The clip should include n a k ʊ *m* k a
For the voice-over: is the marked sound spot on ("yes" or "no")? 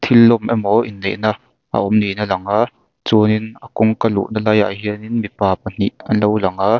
no